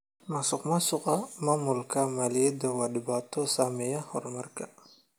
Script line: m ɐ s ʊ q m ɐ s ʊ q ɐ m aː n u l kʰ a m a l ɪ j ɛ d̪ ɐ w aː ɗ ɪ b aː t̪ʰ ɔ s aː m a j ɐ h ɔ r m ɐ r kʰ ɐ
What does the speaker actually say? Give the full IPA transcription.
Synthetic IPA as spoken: m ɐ s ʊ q m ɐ s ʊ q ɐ m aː m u l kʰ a m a l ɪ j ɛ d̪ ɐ w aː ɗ ɪ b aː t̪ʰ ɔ s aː m ɛ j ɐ h ɔ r m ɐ r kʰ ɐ